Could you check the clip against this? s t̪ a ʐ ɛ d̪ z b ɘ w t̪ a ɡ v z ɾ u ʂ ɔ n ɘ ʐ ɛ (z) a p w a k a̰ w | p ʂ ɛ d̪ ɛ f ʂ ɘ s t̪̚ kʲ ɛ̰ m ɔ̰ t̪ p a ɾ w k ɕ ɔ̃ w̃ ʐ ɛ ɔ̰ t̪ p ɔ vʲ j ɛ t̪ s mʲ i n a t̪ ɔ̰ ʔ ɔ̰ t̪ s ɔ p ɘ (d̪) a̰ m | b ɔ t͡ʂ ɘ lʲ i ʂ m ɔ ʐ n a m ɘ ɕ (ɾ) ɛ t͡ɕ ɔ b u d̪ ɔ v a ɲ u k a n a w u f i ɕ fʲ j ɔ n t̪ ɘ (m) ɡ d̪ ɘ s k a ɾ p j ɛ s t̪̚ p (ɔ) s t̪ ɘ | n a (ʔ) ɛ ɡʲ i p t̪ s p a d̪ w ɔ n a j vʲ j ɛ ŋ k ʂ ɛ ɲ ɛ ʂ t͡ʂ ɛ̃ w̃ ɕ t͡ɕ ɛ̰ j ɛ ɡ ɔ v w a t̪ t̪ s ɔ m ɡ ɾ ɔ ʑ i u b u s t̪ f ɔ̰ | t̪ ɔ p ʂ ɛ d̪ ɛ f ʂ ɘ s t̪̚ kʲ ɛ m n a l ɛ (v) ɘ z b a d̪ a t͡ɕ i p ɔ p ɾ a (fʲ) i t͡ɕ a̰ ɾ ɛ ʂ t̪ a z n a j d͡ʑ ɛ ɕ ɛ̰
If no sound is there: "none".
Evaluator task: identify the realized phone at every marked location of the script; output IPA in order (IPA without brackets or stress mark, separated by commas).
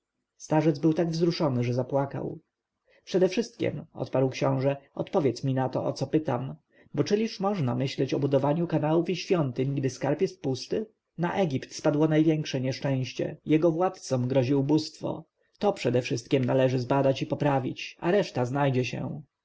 z, t̪, l, ɲ, u, ʔ, ʐ, vʲ